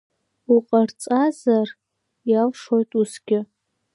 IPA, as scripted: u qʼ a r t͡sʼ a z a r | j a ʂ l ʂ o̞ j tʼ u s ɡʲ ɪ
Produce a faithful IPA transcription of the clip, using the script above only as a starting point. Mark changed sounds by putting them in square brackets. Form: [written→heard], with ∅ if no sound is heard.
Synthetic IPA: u qʼ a r t͡sʼ a z a r | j a [ʂ→∅] l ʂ o̞ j tʼ u s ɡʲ ɪ